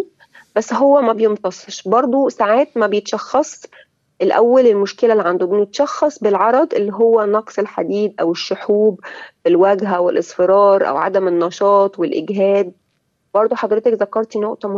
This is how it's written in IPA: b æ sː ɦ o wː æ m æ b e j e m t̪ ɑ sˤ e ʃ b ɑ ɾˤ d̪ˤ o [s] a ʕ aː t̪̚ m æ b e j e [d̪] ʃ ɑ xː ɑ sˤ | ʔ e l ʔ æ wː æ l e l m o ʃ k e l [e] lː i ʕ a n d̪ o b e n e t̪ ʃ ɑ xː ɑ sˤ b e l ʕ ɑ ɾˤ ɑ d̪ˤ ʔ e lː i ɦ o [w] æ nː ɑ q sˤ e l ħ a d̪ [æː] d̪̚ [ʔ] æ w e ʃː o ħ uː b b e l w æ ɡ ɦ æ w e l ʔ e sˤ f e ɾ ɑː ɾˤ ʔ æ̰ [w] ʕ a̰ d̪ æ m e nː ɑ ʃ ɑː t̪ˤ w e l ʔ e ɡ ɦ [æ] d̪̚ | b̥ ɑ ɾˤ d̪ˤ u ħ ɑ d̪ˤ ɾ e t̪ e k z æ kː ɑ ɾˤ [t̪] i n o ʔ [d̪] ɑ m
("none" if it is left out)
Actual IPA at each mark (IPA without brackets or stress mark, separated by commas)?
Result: s, t̪, æ, wː, iː, ʔ, w, æː, t̪, t̪